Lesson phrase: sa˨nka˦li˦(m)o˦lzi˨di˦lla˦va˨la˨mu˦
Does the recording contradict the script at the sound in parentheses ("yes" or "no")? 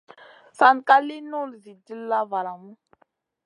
yes